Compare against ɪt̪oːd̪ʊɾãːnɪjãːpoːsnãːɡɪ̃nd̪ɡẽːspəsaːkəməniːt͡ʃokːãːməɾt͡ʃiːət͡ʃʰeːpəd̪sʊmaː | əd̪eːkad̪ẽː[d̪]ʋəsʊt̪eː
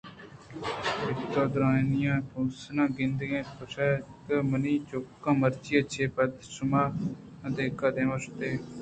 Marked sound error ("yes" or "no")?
yes